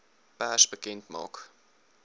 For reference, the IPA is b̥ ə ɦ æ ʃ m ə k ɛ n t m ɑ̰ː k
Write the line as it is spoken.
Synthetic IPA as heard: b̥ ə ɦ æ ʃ b ə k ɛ n t m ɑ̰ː k

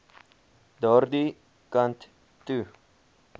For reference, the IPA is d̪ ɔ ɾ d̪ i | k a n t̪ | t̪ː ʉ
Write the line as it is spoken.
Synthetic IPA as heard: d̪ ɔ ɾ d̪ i | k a n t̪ | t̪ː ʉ

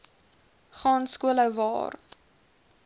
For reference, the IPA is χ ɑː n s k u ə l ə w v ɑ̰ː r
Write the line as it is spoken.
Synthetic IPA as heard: χ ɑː n s k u ə l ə w v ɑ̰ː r

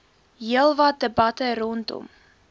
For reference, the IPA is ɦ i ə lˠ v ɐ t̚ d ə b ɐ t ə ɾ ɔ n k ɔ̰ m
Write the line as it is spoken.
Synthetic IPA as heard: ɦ i ə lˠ v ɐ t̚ d ə b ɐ t ə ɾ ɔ n t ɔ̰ m

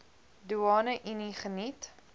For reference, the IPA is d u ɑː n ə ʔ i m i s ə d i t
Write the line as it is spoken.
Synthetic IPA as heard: d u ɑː n ə ʔ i n i χ ə n i t

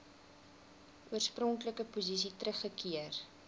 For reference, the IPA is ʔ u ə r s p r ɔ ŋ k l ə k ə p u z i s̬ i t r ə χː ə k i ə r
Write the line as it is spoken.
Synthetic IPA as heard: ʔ u ə r s p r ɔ ŋ k l ə k ə p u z i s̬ i t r ə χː ə k i ə r

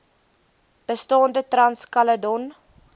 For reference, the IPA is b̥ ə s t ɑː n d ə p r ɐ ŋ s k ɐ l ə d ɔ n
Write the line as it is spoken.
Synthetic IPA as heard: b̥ ə s t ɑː n d ə t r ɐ n s k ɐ l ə d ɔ n

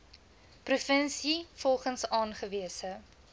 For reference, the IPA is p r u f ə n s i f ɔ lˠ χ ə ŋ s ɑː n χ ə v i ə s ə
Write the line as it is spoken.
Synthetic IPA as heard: p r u f ə n s i f ɔ lˠ χ ə n s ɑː n χ ə v i ə s ə

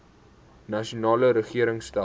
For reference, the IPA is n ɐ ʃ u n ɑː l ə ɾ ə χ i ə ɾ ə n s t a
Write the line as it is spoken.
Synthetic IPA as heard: n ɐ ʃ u n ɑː l ə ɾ ə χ i ə ɾ ə ŋ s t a

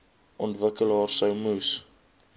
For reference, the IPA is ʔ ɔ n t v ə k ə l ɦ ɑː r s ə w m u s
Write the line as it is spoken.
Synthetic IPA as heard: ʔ ɔ n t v ə k ə l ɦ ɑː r s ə w m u s

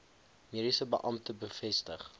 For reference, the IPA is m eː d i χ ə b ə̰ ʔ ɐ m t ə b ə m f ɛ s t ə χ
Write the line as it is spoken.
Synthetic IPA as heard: m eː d i s ə b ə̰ ʔ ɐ m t ə b ə f ɛ s t ə χ

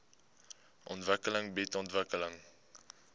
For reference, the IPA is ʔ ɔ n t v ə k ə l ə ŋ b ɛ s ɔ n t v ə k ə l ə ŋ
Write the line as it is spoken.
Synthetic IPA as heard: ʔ ɔ n t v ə k ə l ə ŋ b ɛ t ɔ n t v ə k ə l ə ŋ

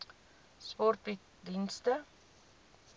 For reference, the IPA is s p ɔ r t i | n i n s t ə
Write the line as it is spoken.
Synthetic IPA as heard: s p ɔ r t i | d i n s t ə

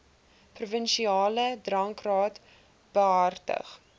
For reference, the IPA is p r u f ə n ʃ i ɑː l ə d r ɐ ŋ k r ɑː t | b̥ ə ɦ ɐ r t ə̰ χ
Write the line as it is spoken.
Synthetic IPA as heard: p r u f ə n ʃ i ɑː l ə d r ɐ ŋ k r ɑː t | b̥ ə ɦ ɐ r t ə̰ χ

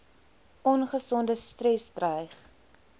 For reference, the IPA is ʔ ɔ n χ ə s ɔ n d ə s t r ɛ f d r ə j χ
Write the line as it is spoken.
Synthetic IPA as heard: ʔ ɔ n χ ə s ɔ n d ə s t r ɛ s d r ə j χ

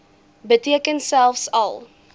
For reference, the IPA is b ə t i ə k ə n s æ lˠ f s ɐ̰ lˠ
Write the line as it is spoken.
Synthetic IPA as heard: b ə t i ə k ə n s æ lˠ f s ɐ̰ lˠ

